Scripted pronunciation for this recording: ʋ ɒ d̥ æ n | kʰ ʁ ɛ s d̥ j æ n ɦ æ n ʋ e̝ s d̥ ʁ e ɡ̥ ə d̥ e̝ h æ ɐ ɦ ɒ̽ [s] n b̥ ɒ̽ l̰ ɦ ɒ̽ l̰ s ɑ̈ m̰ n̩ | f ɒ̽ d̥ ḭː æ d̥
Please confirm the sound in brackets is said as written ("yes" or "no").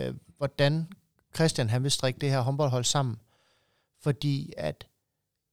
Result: no